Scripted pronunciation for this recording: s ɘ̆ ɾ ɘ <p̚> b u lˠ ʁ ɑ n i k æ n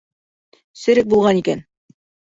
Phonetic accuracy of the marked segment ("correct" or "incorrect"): incorrect